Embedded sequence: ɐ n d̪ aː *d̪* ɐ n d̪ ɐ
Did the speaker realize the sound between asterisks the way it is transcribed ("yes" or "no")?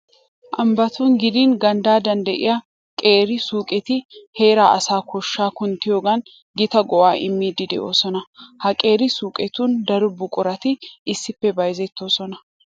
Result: yes